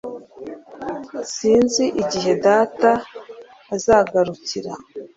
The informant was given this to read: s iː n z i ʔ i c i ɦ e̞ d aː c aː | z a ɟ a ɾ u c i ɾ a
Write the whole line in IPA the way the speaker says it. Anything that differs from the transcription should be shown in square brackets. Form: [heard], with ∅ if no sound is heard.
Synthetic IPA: s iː n z i ʔ i [ɟ] i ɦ e̞ d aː [t] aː | z a [ɡ] a ɾ u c i ɾ a